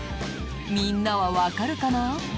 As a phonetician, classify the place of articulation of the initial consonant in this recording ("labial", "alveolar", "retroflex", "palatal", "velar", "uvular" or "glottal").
labial